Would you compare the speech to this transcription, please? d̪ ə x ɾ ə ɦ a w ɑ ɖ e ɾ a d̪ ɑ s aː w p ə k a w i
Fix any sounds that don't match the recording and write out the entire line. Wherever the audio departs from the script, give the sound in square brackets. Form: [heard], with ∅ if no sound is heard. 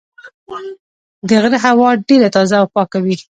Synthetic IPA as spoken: d̪ ə [ɣ] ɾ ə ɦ a w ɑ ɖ e ɾ a [t̪] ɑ [z] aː w p [ɑ] k a w i